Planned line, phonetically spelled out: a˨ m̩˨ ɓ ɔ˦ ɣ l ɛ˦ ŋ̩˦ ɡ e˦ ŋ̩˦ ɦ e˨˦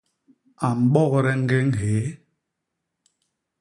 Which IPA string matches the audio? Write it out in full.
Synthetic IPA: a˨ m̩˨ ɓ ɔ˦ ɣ ɾ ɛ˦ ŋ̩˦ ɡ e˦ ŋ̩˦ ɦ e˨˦